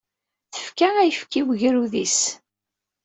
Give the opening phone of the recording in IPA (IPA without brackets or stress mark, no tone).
θ